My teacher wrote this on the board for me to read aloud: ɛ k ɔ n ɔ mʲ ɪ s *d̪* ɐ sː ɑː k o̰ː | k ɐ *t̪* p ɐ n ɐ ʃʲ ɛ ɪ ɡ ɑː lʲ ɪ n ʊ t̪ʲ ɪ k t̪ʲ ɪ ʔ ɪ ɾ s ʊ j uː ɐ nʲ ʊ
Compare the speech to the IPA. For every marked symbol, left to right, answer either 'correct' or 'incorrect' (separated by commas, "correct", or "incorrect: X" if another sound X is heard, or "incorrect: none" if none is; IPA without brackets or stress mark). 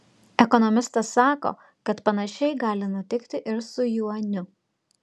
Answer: incorrect: t̪, correct